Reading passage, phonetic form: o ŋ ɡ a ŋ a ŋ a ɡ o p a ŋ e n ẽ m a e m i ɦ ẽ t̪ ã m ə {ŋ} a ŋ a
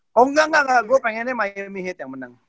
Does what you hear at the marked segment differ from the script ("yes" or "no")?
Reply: yes